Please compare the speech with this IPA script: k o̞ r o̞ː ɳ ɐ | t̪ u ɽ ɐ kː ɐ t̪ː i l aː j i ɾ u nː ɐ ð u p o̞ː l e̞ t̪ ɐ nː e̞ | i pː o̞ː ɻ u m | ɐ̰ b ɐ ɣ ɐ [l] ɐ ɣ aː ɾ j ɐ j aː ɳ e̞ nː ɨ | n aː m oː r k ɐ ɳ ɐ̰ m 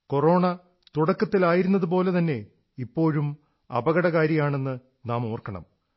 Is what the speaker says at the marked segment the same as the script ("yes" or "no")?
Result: no